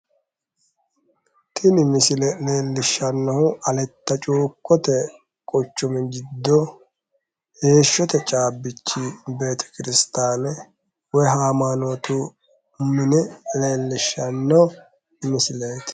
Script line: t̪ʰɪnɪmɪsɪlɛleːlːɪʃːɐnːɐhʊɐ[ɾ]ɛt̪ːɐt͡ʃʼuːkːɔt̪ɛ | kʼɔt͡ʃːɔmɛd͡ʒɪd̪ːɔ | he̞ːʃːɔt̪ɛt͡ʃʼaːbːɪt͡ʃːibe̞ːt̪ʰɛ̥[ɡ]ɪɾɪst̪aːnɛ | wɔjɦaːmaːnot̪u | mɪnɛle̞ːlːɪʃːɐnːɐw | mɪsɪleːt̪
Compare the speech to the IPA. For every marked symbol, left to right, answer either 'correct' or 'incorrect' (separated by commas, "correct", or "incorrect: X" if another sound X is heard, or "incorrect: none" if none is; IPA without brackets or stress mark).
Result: incorrect: l, incorrect: k